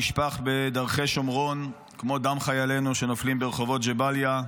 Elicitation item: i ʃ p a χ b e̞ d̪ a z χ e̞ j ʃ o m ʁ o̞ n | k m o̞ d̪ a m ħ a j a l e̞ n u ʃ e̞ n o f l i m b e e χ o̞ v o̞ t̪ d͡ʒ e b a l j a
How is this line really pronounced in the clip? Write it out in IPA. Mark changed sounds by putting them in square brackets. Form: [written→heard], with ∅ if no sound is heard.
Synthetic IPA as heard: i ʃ p a χ b e̞ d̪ a [z→ʁ] χ e̞ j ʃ o m ʁ o̞ n | k m o̞ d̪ a m [ħ→χ] a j a l e̞ n u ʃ e̞ n o f l i m b e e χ o̞ v o̞ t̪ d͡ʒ e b a l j a

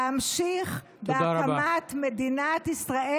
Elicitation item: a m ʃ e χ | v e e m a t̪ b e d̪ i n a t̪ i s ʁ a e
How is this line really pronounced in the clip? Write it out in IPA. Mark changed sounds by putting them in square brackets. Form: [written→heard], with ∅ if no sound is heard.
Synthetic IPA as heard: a m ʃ [e→i] χ | [v→b] e [e→a] m a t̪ [b→m] e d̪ i n a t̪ i s ʁ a e

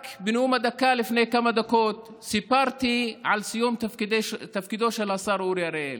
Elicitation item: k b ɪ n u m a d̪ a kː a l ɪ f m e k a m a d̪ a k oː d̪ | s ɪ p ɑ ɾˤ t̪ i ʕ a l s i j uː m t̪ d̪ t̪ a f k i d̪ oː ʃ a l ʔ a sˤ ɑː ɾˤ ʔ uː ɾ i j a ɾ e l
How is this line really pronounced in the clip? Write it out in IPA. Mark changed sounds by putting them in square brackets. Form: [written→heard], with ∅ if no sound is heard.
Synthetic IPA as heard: k b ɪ n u m a d̪ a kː a l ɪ f [m→n] e k a m a d̪ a k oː [d̪→t̪] | s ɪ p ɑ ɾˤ t̪ i ʕ a l s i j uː m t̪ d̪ t̪ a f k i d̪ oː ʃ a l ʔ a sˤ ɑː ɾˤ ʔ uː ɾ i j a ɾ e l

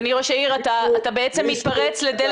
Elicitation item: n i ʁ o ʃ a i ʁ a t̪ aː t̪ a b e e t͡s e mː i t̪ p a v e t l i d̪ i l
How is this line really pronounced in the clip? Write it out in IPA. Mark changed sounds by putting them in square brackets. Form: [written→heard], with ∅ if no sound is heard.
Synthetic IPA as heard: n i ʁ o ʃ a i ʁ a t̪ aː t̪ a b e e t͡s e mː i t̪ p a [v→ʁ] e [t→t͡s] l [i→e] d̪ [i→e] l

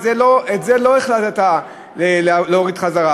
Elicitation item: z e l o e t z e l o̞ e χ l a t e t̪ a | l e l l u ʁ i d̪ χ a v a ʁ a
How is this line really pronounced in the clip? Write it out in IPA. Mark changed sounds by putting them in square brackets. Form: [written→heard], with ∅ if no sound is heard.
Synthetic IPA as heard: z e l o e t z e l o̞ e χ l a t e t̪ a | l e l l [u→o] ʁ i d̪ χ a [v→z] a ʁ a

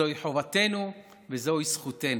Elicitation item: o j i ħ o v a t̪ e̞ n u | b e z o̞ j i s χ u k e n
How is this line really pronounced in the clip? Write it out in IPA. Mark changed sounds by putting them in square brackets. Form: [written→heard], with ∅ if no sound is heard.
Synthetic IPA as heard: o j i ħ o v a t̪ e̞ n u | [b→v] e z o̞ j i s χ u [k→t] e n

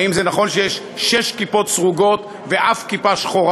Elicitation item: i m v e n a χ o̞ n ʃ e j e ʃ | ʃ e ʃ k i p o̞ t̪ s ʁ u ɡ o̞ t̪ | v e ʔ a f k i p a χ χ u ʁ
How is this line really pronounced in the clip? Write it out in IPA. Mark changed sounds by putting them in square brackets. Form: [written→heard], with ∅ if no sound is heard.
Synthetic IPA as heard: i m [v→z] e n a χ o̞ n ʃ e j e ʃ | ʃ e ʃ k i p o̞ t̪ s ʁ u ɡ o̞ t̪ | v e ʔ a f k i p a [χ→ʃ] χ [u→o] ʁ

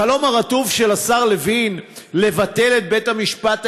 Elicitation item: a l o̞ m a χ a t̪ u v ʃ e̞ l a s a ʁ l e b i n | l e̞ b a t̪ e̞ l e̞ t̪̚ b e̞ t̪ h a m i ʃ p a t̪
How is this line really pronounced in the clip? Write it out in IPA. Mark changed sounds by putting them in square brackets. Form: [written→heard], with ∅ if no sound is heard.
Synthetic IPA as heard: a l o̞ m a [χ→ʁ] a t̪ u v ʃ e̞ l a s a ʁ l e [b→v] i n | l e̞ [b→v] a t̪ e̞ l e̞ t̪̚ b e̞ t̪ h a m i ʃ p a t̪

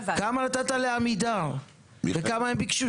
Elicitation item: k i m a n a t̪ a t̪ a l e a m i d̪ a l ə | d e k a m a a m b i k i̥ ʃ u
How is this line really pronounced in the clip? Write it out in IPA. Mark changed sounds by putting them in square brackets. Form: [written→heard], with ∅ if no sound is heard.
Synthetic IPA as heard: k [i→a] m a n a t̪ a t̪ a l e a m i d̪ a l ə | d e k a m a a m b i k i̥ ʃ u

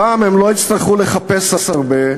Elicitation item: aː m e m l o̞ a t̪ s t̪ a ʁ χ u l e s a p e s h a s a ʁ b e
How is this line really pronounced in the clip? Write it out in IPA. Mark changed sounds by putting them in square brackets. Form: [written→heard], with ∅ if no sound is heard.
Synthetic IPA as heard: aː m e m l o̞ [a→i] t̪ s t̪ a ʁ χ u l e [s→χ] a p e s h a s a ʁ b e

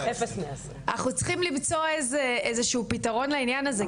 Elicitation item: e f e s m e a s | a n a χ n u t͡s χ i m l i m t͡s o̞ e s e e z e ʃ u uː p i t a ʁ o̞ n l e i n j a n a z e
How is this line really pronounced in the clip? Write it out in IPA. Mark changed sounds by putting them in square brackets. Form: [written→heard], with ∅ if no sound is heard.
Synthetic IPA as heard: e f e s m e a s | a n a χ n u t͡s χ i m l i m t͡s o̞ e [s→z] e e z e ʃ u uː p i t a ʁ o̞ n l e i n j a n a z e

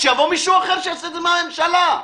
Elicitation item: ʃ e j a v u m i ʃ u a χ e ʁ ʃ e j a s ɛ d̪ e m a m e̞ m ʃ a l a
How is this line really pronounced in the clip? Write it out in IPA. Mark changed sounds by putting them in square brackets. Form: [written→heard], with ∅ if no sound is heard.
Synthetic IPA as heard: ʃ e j a v [u→o] m i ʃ u a χ e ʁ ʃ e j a s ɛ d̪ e m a m e̞ m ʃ a l a

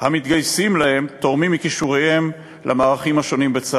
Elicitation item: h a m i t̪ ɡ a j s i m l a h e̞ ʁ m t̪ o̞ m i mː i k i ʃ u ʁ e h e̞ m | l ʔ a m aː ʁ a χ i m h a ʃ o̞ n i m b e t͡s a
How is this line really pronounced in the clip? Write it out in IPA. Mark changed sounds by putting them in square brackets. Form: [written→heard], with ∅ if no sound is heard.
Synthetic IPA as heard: h a m i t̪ ɡ a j s i m l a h e̞ [ʁ→∅] m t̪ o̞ m i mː i k i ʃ u ʁ e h e̞ m | l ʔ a m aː ʁ a χ i m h a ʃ o̞ n i m b e t͡s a

